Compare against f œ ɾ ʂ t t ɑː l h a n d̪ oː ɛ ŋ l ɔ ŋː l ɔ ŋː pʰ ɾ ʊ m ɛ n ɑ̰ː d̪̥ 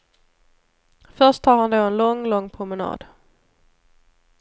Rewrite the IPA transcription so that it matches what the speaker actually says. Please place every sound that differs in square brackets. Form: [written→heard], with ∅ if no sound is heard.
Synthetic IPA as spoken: f œ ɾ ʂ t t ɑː [l→ɾ] h a n d̪ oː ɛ [ŋ→n] l ɔ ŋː l ɔ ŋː pʰ ɾ ʊ m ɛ n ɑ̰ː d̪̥

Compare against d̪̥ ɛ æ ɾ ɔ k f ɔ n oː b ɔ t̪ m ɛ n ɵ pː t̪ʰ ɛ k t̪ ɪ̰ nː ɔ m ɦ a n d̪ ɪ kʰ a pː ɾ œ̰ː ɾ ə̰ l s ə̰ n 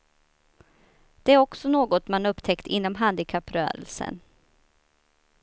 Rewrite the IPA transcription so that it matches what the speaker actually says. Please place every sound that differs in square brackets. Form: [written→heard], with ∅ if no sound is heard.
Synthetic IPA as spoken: d̪̥ ɛ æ ɾ ɔ k [f→s] ɔ n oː [b→ɡ] ɔ t̪ m [ɛ→a] n ɵ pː t̪ʰ ɛ k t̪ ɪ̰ nː ɔ m ɦ a n d̪ ɪ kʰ a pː ɾ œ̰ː ɾ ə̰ l s ə̰ n

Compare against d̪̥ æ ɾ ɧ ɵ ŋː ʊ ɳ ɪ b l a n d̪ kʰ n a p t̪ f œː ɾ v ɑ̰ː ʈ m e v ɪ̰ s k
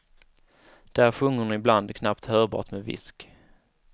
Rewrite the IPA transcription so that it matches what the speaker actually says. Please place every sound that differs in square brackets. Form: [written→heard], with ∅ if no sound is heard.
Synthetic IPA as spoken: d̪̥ æ ɾ ɧ ɵ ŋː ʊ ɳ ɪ b l a n d̪ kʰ n a p t̪ [f→h] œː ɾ [v→b] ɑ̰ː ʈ m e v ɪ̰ s k

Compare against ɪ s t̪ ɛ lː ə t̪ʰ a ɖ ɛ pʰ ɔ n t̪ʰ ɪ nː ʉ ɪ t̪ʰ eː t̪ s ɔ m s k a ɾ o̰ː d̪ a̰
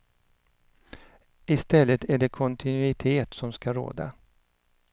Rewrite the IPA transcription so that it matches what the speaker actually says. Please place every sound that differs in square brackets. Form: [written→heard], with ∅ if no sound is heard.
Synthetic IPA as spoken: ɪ s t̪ ɛ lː ə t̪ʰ [a→æ] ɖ ɛ [pʰ→kʰ] ɔ n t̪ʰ ɪ [nː→n] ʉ ɪ t̪ʰ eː t̪ s ɔ m s k a ɾ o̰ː d̪ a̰

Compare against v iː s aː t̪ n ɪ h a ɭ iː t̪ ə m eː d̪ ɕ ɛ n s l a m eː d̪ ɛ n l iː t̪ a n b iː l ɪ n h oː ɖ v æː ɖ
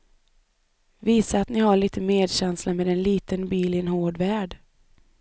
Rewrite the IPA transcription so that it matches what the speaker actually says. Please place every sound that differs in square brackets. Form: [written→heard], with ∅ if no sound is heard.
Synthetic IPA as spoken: v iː s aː t̪ n ɪ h a ɭ iː t̪ ə m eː d̪ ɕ ɛ n s l a m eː d̪ ɛ n l iː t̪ [a→ə] n b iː l ɪ n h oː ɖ v æː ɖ

